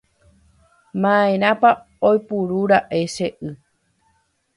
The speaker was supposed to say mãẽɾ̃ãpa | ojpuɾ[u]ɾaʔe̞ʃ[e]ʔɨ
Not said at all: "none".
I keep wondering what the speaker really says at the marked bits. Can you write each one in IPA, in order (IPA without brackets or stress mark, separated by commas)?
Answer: u, e